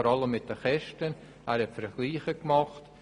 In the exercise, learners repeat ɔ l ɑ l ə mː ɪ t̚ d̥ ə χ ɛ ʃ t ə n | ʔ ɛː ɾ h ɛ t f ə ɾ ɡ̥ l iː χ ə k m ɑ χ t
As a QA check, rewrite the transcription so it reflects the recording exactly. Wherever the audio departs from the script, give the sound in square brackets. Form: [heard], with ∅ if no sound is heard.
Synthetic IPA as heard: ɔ [ɾ] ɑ l ə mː ɪ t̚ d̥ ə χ ɛ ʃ t ə n | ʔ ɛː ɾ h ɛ t f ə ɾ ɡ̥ l iː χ ə k m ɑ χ t

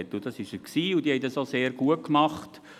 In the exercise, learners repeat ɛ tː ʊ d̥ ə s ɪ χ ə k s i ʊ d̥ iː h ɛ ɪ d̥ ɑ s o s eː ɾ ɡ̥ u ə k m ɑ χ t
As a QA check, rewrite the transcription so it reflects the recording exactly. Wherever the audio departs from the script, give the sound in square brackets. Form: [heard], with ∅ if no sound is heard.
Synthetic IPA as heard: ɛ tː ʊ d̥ [ɑ] s ɪ [ʃ] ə k s [iː] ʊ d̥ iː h ɛ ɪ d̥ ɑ s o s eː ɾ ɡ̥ u ə k m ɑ χ t

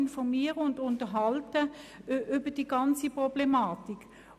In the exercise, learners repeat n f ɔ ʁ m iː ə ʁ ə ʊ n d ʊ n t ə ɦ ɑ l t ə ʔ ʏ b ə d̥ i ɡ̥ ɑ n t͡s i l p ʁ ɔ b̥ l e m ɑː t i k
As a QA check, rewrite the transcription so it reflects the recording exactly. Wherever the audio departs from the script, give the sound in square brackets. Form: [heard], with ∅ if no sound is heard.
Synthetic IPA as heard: n f ɔ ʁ m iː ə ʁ ə ʊ n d ʊ n t ə ɦ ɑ l t ə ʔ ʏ b ə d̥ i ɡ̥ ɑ n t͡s i [∅] p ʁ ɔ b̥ l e m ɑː t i k

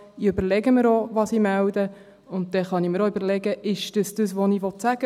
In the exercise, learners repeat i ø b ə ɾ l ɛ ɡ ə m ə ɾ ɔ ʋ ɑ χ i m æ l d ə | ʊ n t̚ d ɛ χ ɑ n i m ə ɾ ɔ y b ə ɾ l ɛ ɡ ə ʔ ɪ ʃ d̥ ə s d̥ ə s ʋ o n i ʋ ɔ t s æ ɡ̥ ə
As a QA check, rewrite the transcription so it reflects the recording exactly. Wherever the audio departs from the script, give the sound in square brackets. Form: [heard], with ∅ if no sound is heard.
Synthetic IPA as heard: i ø b ə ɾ l ɛ ɡ ə m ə ɾ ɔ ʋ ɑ [s] i m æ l d ə | ʊ n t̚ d ɛ χ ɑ n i m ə ɾ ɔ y b ə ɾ l ɛ ɡ ə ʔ ɪ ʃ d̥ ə s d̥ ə s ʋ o n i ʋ ɔ t s æ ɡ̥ ə

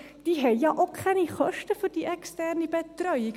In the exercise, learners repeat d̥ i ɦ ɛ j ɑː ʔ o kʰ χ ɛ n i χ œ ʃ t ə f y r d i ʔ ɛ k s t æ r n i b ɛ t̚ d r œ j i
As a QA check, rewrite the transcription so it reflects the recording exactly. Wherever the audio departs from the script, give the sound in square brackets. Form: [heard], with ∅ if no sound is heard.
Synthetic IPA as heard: d̥ i ɦ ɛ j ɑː ʔ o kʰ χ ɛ n i χ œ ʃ t ə f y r d i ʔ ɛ k s t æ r n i b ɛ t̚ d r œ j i

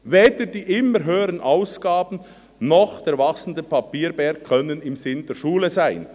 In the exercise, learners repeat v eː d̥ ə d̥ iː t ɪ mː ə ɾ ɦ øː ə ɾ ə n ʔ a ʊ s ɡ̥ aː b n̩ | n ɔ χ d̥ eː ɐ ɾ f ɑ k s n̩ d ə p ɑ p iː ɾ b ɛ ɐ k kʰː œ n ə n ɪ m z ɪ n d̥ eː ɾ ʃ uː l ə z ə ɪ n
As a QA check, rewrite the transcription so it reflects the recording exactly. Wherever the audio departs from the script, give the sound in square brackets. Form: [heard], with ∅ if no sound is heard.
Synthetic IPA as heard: v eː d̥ ə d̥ iː [ʔ] ɪ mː ə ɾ ɦ øː ə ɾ ə n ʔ a ʊ s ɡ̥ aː b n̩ | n ɔ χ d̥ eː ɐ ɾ [v] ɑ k s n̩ d ə p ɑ p iː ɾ b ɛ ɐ k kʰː œ n ə n ɪ m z ɪ n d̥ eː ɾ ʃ uː l ə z [a] ɪ n

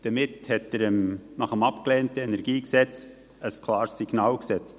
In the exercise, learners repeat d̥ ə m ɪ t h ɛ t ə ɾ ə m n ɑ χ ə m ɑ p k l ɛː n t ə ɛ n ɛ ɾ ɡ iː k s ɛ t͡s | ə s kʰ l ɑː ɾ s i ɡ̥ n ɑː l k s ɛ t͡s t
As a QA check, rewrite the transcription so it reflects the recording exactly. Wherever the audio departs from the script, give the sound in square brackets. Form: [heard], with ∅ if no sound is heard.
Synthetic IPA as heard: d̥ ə m ɪ t h ɛ t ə ɾ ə m n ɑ χ ə m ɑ p k l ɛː n t ə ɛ n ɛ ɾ ɡ iː k s ɛ t͡s | ə s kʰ l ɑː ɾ s i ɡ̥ n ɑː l k s ɛ t͡s t

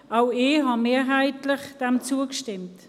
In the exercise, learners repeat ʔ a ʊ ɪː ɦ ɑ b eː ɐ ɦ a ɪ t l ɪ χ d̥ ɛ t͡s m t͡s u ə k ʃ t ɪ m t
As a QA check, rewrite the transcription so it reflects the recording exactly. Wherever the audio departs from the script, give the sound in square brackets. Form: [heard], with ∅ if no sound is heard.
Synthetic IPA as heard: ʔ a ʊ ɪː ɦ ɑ [m] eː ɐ ɦ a ɪ t l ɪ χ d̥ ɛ [∅] m t͡s u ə k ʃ t ɪ m t

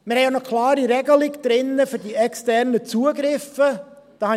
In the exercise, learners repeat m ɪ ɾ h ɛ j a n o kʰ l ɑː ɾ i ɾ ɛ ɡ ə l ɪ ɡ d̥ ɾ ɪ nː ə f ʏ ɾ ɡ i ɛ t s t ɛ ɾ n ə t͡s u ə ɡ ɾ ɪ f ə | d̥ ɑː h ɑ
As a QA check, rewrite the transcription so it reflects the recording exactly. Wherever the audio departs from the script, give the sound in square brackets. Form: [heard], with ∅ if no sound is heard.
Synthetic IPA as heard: m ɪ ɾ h ɛ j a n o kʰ l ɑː ɾ i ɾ ɛ ɡ ə l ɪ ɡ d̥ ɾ ɪ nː ə f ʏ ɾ [d] i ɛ [k] s t ɛ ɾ n ə t͡s u ə ɡ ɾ ɪ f ə | d̥ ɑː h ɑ

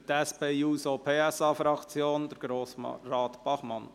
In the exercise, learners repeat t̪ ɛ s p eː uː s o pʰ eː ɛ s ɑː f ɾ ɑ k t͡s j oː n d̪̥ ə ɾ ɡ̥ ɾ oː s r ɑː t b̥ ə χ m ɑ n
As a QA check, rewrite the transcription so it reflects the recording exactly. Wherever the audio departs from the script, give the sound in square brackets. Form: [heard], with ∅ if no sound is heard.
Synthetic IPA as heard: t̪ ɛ s p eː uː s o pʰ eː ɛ s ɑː f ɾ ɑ k t͡s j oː n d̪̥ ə ɾ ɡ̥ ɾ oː s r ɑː t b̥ [ɑ] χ m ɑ n

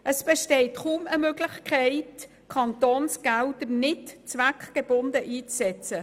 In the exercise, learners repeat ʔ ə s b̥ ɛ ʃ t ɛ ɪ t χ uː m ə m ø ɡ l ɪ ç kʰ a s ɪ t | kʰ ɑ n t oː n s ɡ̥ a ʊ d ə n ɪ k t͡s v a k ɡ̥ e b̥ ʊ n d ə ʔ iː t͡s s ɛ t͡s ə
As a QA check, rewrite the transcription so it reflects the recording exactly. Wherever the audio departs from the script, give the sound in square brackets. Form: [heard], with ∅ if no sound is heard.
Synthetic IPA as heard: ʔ ə s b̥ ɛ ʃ t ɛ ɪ t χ uː m ə m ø ɡ l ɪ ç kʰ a [∅] ɪ t | kʰ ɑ n t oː n s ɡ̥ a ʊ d ə n ɪ [t] t͡s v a k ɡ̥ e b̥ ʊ n d ə ʔ iː t͡s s ɛ t͡s ə

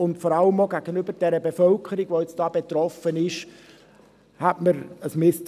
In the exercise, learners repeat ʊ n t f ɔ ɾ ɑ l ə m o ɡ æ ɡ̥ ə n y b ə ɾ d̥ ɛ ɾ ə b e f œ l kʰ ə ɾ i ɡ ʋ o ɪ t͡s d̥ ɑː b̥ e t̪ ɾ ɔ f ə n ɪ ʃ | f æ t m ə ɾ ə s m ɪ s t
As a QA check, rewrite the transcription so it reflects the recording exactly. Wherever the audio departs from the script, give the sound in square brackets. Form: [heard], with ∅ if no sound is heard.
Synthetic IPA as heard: ʊ n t f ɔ ɾ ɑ l ə m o ɡ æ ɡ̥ ə n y b ə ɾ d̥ ɛ ɾ ə b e f œ l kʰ ə ɾ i ɡ ʋ o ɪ t͡s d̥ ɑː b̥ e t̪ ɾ ɔ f ə n ɪ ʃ | [h] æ t m ə ɾ ə s m ɪ s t

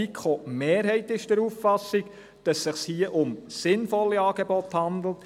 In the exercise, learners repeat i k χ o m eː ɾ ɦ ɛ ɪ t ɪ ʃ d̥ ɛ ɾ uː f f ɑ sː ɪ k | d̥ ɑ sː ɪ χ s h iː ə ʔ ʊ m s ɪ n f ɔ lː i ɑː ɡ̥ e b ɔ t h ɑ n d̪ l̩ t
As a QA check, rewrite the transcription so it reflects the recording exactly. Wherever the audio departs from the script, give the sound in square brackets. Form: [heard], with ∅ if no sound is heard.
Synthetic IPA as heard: i k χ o m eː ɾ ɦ ɛ ɪ t ɪ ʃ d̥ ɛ ɾ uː f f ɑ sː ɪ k | d̥ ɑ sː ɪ χ s h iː ə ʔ ʊ m s ɪ n f ɔ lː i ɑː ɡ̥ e b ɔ t h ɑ n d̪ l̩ t

